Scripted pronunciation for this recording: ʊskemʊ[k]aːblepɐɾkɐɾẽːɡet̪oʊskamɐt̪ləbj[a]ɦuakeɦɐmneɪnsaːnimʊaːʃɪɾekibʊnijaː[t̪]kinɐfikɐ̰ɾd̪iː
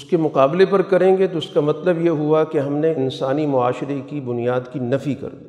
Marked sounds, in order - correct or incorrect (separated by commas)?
incorrect, incorrect, incorrect